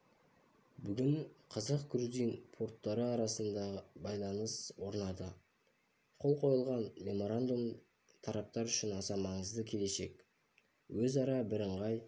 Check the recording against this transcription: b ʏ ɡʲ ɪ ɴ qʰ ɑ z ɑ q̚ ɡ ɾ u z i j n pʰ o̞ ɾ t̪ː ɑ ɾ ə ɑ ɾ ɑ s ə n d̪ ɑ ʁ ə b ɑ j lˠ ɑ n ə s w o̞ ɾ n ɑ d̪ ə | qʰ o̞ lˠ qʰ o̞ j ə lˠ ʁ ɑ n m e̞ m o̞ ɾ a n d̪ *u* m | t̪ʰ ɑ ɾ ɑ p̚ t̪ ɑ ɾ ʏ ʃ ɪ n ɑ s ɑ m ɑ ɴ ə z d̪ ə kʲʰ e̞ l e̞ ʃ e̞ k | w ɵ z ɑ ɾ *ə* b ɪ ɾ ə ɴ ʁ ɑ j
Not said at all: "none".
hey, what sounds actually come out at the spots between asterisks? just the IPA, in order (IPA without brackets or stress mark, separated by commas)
u, ɑ